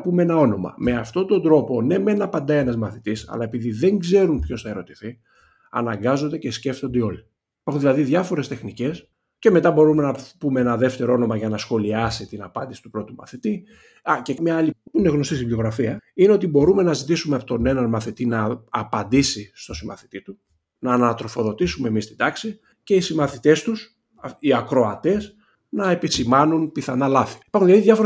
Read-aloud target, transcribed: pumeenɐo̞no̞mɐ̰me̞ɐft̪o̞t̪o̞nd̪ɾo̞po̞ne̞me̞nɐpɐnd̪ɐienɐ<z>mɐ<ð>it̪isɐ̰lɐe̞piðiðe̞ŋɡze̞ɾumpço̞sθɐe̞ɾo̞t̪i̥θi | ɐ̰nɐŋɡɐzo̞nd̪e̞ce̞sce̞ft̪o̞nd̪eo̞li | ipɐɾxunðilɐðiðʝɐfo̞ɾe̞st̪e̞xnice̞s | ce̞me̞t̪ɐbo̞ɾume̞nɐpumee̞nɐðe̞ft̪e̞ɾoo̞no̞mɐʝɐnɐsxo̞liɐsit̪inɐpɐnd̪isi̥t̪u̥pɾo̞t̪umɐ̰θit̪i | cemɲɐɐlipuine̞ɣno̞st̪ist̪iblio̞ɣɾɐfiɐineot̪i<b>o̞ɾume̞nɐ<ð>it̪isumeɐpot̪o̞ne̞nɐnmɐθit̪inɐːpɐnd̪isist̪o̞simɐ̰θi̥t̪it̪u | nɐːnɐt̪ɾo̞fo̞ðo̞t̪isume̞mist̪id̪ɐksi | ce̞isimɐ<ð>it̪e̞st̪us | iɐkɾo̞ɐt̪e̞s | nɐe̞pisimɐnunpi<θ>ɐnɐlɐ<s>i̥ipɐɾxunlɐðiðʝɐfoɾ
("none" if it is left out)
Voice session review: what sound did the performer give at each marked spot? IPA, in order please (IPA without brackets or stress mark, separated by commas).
z, θ, b, z, θ, θ, θ